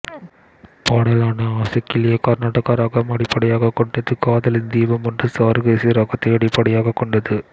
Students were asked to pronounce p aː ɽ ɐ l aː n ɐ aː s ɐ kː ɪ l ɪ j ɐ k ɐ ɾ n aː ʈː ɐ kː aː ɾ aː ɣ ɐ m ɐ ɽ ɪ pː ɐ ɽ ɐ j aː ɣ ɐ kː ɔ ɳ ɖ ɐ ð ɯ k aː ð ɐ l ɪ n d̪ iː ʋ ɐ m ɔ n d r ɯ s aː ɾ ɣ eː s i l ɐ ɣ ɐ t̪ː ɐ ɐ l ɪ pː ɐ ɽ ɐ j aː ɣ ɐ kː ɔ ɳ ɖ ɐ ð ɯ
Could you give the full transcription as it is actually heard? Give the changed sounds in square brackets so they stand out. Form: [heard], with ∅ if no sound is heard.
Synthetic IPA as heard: p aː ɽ ɐ l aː n ɐ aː s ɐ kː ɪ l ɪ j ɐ k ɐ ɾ n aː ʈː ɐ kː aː ɾ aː ɣ ɐ m ɐ ɽ ɪ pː ɐ ɽ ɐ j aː ɣ ɐ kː ɔ ɳ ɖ ɐ ð ɯ k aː ð ɐ l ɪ n d̪ iː ʋ ɐ m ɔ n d r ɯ s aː ɾ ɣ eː s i [ɾ] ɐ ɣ ɐ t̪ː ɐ ɐ [ɽ] ɪ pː ɐ ɽ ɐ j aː ɣ ɐ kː ɔ ɳ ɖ ɐ ð ɯ